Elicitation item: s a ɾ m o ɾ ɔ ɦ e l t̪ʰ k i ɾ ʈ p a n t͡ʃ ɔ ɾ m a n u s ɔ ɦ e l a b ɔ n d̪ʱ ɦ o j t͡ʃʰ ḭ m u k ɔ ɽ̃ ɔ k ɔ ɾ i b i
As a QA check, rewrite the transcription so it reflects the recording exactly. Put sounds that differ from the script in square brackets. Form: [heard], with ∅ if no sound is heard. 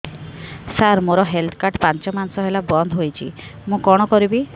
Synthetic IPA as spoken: s a ɾ m o ɾ ɔ ɦ e l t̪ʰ k [a] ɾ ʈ p a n t͡ʃ ɔ [∅] m a n [ɔ] s ɔ ɦ e l a b ɔ n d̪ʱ ɦ o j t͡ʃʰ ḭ m [ũ] k ɔ ɽ̃ ɔ k ɔ ɾ i b i